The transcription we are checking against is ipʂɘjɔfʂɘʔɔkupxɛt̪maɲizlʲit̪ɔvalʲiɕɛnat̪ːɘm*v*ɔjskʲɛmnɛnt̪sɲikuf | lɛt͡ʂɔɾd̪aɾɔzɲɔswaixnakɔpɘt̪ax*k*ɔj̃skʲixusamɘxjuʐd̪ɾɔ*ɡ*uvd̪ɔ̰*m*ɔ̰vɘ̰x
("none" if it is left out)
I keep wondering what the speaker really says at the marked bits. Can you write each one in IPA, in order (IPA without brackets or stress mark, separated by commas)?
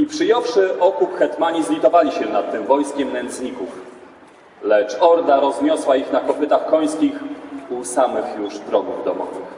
v, k, ɡ, m